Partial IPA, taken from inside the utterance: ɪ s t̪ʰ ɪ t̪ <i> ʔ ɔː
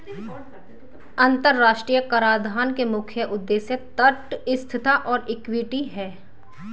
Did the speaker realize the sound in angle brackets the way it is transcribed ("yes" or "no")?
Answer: no